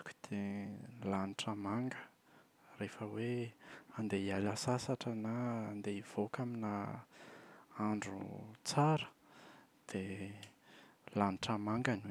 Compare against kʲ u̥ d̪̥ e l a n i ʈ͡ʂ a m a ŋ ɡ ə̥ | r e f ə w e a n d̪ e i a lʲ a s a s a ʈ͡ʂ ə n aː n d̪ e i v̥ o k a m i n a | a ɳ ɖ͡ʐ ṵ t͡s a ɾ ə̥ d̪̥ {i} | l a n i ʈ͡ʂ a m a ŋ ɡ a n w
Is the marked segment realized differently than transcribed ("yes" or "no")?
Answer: yes